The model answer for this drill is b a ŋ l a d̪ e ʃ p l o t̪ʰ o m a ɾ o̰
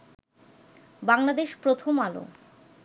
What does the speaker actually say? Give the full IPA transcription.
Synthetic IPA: b a ŋ l a d̪ e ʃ p ɾ o t̪ʰ o m a l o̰